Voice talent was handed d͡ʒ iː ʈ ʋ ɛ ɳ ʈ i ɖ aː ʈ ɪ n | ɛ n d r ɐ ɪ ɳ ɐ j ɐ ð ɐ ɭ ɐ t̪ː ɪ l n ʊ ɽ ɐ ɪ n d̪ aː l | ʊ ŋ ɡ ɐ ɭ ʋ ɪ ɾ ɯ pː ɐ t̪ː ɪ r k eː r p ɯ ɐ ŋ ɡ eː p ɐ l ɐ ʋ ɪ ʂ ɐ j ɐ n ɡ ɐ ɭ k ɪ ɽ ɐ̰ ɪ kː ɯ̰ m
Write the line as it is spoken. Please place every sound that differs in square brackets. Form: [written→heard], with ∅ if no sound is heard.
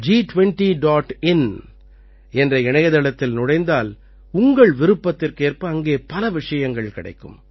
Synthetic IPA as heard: d͡ʒ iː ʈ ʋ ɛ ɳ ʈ i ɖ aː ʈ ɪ n | ɛ n d r ɐ ɪ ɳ ɐ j ɐ ð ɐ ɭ ɐ t̪ː ɪ l n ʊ ɽ ɐ ɪ n d̪ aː l | ʊ ŋ ɡ ɐ ɭ ʋ ɪ ɾ ɯ pː ɐ t̪ː ɪ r k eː r p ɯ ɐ ŋ ɡ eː p ɐ l ɐ ʋ ɪ ʂ ɐ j ɐ [n→ŋ] ɡ ɐ ɭ k ɪ ɽ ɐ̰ ɪ kː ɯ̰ m

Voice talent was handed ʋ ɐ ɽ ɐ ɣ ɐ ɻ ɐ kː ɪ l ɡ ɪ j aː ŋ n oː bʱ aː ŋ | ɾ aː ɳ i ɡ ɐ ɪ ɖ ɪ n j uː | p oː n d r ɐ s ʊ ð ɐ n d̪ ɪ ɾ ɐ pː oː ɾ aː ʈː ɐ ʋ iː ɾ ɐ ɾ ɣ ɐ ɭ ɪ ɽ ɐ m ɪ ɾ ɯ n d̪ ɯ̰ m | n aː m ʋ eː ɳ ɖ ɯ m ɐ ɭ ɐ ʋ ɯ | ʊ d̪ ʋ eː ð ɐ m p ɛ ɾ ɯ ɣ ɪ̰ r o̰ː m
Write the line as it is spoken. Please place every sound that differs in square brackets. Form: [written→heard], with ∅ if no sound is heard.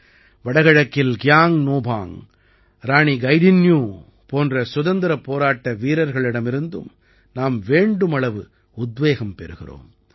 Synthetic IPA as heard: ʋ ɐ ɽ ɐ ɣ ɐ ɻ ɐ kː ɪ l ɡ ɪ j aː ŋ n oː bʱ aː ŋ | ɾ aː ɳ i ɡ ɐ ɪ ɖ ɪ n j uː | p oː n d r ɐ s ʊ ð ɐ n d̪ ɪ ɾ ɐ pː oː ɾ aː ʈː ɐ ʋ iː ɾ ɐ ɾ ɣ ɐ ɭ ɪ ɽ ɐ m ɪ ɾ ɯ n d̪ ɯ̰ m | n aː m ʋ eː ɳ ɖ ɯ m ɐ ɭ ɐ ʋ ɯ | ʊ d̪ ʋ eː [ð→ɣ] ɐ m p ɛ ɾ ɯ ɣ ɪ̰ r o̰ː m

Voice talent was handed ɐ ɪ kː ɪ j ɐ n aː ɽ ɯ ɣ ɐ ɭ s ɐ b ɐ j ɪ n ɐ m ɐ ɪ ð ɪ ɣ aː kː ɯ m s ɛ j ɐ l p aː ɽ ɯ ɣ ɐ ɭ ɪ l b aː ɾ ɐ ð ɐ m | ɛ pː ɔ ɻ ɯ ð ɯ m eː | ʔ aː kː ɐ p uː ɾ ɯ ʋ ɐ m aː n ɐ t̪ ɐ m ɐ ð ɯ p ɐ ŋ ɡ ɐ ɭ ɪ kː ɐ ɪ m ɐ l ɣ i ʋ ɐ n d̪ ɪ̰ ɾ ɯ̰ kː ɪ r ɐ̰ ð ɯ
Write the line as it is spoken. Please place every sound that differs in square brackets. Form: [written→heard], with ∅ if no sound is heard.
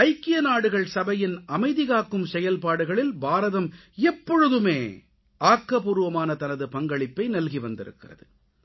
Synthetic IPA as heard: ɐ ɪ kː ɪ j ɐ n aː ɽ ɯ ɣ ɐ ɭ s ɐ b ɐ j ɪ n ɐ m ɐ ɪ ð ɪ ɣ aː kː ɯ m s ɛ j ɐ l p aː ɽ ɯ ɣ ɐ ɭ ɪ l b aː ɾ ɐ ð ɐ m | ɛ pː ɔ ɻ ɯ ð ɯ m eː | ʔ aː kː ɐ p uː ɾ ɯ ʋ ɐ m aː n ɐ t̪ ɐ [m→n] ɐ ð ɯ p ɐ ŋ ɡ ɐ ɭ ɪ [kː→pː] ɐ ɪ [m→n] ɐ l ɣ i ʋ ɐ n d̪ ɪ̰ ɾ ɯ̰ kː ɪ r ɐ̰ ð ɯ

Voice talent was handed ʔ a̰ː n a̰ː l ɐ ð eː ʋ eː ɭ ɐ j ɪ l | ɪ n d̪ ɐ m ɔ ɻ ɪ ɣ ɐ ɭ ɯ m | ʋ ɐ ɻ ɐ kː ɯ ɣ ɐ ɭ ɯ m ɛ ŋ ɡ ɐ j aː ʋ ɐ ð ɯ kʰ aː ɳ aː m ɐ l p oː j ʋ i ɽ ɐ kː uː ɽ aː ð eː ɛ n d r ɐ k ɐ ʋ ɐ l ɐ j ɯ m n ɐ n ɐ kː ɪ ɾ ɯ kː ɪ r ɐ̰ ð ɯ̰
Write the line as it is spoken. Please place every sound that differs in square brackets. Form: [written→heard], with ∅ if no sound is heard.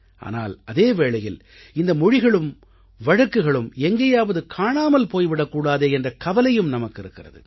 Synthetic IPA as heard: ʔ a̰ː n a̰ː l ɐ ð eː ʋ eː ɭ ɐ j ɪ l | ɪ n d̪ ɐ m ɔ ɻ ɪ ɣ ɐ ɭ ɯ m | ʋ ɐ ɻ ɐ kː ɯ ɣ ɐ ɭ ɯ m ɛ ŋ ɡ ɐ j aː ʋ ɐ ð ɯ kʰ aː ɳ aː m ɐ l p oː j ʋ [i→ɪ] ɽ ɐ kː uː ɽ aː ð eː ɛ n d r ɐ k ɐ ʋ ɐ l ɐ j ɯ m n ɐ [n→m] ɐ kː ɪ ɾ ɯ kː ɪ r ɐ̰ ð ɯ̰

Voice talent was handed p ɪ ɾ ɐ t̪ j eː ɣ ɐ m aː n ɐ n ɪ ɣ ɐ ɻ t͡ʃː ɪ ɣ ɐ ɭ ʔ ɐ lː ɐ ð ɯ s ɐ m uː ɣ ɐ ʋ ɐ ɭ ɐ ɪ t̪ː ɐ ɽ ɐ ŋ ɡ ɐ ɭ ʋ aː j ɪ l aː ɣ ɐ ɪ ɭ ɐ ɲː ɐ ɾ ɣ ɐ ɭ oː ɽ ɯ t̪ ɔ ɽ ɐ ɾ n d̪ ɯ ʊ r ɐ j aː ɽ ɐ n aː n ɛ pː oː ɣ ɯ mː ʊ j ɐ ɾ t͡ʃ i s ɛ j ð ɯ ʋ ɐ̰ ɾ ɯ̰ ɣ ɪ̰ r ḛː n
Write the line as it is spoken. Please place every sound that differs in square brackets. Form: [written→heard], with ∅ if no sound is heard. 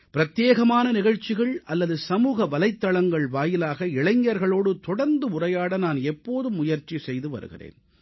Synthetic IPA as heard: p ɪ ɾ ɐ t̪ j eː ɣ ɐ m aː n ɐ n ɪ ɣ ɐ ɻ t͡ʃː ɪ ɣ ɐ ɭ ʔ ɐ lː ɐ ð ɯ s ɐ m uː ɣ ɐ ʋ ɐ [ɭ→l] ɐ ɪ t̪ː ɐ [ɽ→ɭ] ɐ ŋ ɡ ɐ ɭ ʋ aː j ɪ l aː ɣ ɐ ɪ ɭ ɐ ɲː ɐ ɾ ɣ ɐ ɭ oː ɽ ɯ t̪ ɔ ɽ ɐ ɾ n d̪ ɯ ʊ r ɐ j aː ɽ ɐ n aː n ɛ pː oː [ɣ→ð] ɯ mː ʊ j ɐ ɾ t͡ʃ i s ɛ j ð ɯ ʋ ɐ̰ ɾ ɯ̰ ɣ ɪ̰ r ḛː n

